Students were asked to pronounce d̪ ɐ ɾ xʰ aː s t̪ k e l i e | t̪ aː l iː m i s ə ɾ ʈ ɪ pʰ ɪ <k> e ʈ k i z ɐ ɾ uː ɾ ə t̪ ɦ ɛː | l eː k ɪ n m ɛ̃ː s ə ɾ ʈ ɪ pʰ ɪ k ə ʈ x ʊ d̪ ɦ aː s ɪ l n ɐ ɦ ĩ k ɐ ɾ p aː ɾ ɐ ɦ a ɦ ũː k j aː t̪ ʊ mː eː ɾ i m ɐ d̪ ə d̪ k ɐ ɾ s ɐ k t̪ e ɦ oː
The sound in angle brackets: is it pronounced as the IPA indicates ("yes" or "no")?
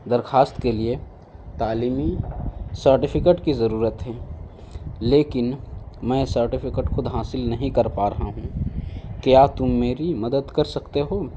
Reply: yes